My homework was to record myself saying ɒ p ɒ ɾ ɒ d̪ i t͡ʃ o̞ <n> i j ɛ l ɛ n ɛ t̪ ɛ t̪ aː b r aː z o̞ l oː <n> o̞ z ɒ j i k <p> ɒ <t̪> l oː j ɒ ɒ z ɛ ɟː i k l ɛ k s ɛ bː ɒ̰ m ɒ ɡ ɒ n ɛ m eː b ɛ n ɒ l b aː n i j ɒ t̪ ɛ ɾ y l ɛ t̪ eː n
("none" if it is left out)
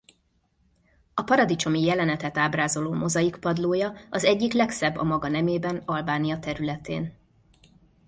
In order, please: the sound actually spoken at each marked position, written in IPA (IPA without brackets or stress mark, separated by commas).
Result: m, m, p, d̪